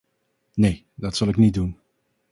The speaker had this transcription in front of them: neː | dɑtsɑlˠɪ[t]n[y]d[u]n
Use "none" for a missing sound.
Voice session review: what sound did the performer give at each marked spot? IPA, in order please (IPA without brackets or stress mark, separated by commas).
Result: k, i, u